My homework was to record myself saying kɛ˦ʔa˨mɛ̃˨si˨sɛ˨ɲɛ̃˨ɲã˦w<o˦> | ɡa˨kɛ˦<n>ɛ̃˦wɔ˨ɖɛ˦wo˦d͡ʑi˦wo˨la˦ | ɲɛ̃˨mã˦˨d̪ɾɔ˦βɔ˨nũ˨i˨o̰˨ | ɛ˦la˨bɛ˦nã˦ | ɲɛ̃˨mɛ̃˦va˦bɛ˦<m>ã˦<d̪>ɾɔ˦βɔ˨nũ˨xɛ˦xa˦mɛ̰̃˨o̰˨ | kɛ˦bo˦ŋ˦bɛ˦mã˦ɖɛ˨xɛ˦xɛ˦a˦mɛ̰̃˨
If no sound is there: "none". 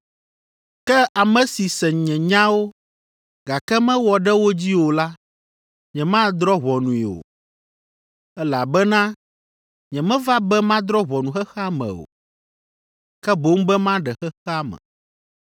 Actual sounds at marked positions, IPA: o˦, m, m, d̪

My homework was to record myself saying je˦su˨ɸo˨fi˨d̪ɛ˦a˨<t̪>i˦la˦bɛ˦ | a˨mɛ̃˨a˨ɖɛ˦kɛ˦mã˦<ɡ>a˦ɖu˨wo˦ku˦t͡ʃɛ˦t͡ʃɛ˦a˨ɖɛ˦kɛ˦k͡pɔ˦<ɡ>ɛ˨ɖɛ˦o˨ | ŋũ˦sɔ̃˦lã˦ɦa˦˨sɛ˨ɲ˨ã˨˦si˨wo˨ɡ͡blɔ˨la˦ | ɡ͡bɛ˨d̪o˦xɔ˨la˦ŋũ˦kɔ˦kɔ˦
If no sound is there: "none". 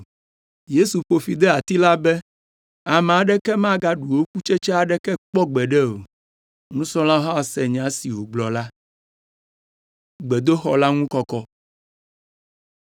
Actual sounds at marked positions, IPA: t̪, ɡ, ɡ͡b

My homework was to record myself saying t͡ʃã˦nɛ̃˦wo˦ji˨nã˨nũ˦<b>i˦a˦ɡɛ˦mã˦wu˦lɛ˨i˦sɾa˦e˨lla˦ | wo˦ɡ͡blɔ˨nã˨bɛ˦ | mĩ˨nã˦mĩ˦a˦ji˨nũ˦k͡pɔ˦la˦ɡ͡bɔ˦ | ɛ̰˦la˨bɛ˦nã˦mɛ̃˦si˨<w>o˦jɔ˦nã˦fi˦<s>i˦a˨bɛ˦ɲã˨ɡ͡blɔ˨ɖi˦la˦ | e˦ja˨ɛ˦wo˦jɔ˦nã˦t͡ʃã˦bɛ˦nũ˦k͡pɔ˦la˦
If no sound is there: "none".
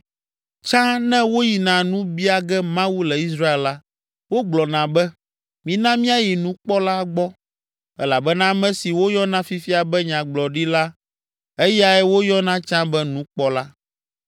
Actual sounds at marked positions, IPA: b, w, f

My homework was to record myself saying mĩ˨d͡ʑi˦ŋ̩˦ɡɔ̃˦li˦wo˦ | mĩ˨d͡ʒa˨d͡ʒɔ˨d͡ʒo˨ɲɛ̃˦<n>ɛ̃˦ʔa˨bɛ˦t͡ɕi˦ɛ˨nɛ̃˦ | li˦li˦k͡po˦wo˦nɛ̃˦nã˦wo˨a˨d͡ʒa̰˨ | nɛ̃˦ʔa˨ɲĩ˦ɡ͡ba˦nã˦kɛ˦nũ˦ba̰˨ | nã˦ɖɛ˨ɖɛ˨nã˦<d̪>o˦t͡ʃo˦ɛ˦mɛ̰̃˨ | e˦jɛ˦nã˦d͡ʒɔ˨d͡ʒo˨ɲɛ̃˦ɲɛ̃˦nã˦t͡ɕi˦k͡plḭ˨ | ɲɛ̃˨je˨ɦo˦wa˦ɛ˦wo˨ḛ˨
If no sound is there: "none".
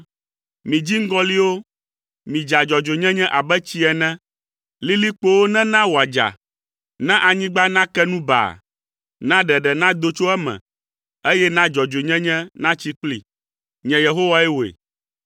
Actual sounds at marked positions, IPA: ɲ, d̪

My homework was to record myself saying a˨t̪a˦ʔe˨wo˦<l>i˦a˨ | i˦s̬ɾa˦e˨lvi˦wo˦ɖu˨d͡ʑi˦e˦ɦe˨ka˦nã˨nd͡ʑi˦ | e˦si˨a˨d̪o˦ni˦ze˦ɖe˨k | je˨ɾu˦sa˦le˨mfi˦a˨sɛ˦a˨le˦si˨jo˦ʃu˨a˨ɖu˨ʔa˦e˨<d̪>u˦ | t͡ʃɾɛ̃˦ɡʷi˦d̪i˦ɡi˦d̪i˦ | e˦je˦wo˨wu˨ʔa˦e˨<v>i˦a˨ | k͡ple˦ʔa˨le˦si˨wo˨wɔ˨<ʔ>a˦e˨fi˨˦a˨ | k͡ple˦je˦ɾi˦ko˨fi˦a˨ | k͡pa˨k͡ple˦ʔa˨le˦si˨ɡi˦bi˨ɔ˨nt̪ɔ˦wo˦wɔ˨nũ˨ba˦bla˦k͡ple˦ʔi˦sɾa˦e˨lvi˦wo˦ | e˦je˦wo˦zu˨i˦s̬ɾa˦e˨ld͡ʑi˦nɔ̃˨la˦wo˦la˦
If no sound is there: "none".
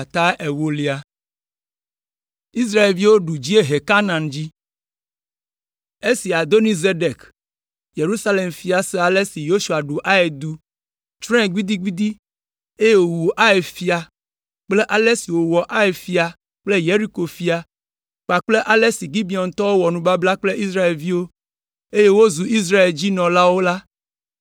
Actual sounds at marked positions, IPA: l, d̪, f, ʔ

